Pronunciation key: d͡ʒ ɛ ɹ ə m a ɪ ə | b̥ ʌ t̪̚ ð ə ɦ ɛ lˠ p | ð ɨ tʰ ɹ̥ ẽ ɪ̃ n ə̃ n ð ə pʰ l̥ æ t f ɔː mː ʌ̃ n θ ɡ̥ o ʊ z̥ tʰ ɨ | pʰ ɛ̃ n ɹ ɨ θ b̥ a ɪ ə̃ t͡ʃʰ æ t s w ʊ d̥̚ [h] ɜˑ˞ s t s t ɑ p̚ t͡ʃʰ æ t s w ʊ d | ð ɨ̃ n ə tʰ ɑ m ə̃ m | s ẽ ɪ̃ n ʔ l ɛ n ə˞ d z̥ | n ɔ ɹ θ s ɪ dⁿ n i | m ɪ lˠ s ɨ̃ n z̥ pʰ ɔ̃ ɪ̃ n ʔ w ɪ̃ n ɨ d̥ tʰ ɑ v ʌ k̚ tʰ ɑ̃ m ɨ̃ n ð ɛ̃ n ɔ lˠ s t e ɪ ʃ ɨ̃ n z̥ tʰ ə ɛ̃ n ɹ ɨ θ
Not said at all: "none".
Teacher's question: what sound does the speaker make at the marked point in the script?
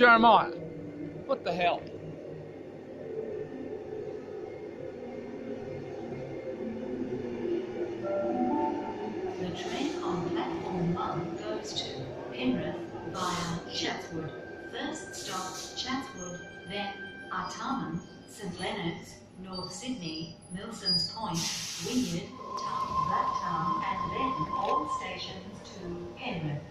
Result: f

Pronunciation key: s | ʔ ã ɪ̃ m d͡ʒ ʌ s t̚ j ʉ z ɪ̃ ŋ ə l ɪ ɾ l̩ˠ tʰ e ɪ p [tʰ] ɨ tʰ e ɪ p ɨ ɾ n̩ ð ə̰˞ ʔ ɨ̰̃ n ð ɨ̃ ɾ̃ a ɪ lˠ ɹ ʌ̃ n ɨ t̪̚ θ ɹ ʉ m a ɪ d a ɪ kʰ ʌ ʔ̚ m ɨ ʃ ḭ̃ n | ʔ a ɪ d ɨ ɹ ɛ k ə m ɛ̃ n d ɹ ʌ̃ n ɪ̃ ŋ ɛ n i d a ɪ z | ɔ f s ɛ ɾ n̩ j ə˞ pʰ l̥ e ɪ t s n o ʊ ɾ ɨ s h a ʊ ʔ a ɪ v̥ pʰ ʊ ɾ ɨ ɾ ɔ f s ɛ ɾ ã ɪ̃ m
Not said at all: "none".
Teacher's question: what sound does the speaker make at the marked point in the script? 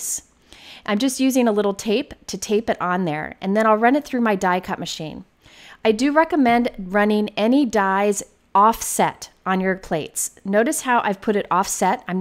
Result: tʰ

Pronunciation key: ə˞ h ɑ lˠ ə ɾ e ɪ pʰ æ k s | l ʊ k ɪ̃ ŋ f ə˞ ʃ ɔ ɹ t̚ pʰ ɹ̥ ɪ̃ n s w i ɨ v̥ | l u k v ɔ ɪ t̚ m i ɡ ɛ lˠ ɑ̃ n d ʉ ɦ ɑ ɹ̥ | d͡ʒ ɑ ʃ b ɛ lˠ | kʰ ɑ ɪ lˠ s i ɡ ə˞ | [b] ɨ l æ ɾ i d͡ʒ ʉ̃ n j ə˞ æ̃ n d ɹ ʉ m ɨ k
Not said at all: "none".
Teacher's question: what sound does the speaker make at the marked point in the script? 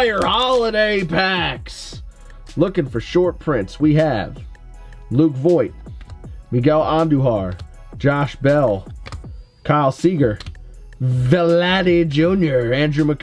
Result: v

